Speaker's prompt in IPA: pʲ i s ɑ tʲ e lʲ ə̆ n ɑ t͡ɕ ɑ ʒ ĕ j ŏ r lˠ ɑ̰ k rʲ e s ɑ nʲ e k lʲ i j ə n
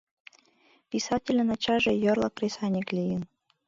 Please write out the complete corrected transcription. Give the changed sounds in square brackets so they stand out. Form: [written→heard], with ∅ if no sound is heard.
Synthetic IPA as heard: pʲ i s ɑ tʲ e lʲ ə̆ n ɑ t͡ɕ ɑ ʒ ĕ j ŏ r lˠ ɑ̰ k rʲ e s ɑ nʲ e k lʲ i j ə n